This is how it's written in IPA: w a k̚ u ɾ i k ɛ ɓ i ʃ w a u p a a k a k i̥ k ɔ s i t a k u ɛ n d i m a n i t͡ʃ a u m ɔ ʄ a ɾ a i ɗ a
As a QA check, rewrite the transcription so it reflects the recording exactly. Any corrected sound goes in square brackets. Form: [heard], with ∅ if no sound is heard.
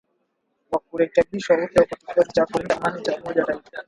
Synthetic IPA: w a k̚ u ɾ [ɛ] k ɛ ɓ i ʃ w a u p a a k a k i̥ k ɔ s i [t͡ʃ] a k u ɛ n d [a] m a n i t͡ʃ a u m ɔ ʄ a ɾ a i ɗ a